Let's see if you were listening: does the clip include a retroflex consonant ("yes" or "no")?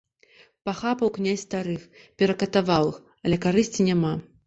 no